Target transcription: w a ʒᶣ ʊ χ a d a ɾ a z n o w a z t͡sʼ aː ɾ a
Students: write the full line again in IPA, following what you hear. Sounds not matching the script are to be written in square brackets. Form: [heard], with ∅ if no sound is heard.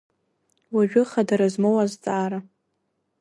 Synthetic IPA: w a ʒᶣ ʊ χ a d a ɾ a z [m] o w a z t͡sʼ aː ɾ a